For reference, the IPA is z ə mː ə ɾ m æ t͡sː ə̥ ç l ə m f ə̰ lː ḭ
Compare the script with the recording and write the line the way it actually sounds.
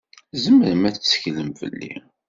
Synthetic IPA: z ə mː ə ɾ m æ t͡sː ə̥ ç l ə m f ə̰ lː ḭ